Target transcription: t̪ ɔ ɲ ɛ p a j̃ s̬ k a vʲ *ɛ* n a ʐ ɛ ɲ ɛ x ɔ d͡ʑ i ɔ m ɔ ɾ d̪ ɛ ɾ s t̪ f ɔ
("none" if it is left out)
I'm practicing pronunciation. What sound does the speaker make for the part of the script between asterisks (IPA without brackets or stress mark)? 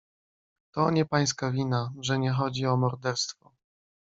i